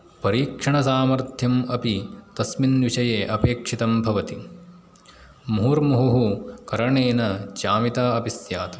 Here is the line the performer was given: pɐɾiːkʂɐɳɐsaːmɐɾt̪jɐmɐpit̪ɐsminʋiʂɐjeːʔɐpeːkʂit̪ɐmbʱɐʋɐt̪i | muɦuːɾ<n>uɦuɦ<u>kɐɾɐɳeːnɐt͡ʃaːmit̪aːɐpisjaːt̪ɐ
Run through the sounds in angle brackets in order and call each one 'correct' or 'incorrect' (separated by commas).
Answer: incorrect, correct